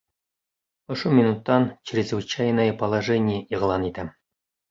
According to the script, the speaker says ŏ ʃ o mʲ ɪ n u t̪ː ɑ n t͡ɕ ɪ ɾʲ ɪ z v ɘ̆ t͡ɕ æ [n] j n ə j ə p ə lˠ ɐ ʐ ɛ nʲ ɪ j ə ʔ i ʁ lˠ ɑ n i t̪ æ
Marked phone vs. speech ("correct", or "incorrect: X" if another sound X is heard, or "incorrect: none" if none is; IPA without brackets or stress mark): incorrect: none